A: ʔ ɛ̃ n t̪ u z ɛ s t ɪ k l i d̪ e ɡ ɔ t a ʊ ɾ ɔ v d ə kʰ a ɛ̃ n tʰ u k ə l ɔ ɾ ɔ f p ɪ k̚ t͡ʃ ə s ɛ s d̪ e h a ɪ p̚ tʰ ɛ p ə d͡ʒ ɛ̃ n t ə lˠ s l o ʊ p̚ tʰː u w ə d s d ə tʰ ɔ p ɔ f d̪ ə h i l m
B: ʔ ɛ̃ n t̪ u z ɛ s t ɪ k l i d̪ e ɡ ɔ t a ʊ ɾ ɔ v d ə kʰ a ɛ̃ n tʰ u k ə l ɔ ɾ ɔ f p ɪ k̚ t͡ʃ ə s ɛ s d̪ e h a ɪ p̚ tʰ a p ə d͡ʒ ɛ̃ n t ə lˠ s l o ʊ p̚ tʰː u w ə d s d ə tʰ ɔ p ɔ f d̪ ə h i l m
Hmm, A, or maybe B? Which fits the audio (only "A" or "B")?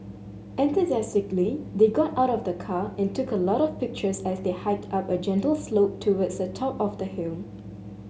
B